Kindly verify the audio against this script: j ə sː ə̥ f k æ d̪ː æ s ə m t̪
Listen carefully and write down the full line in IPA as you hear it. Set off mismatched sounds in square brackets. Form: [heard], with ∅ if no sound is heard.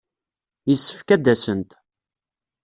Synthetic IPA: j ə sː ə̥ f k æ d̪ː æ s ə [n] t̪